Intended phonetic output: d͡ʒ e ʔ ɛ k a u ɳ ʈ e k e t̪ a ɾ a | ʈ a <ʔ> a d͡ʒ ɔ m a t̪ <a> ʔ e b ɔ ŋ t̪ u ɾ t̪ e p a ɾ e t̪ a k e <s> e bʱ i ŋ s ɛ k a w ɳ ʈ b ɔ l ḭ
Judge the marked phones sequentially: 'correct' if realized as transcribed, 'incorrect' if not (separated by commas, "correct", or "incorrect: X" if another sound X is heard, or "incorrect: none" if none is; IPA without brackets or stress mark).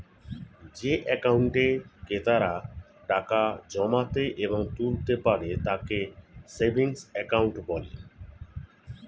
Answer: incorrect: k, incorrect: e, correct